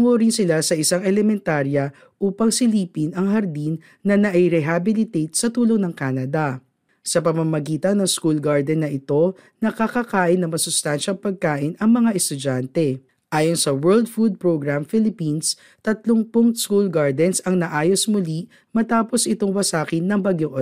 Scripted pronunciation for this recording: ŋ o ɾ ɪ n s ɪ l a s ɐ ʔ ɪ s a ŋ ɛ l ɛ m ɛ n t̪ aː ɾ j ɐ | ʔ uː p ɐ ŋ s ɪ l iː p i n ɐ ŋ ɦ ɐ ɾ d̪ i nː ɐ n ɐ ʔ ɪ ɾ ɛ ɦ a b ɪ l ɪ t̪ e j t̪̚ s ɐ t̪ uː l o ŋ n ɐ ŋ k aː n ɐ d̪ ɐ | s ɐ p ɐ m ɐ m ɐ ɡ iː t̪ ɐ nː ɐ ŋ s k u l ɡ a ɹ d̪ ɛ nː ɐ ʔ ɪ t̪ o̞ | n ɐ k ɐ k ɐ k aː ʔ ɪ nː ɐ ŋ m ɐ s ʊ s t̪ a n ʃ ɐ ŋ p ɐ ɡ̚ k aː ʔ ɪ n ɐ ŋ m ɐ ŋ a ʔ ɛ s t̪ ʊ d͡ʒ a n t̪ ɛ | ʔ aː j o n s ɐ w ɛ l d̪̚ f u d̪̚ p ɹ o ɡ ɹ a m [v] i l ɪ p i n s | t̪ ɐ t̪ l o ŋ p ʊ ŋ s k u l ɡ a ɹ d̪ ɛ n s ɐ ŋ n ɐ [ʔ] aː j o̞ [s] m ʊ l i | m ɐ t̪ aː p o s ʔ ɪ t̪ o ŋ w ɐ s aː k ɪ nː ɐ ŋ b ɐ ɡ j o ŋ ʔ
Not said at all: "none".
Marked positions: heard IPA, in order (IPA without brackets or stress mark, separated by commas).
f, ʔ, s